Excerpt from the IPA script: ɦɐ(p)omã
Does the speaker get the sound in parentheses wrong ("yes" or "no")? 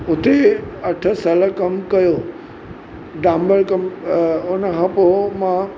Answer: no